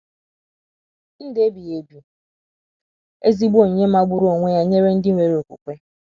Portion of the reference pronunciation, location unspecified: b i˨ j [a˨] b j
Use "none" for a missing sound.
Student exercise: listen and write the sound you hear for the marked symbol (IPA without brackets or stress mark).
e˨